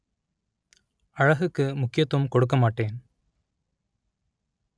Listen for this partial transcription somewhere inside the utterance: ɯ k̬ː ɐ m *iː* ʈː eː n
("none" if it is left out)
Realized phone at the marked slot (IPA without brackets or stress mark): aː